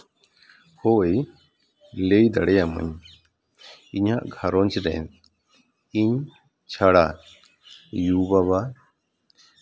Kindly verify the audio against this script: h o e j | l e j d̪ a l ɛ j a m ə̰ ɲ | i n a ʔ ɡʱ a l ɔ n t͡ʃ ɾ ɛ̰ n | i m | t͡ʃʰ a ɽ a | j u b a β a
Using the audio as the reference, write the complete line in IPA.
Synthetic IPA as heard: h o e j | l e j d̪ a ɽ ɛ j a m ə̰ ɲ | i ɲ a ʔ ɡʱ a ɾ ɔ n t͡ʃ ɾ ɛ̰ n | i ɲ | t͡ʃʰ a ɽ a | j u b a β a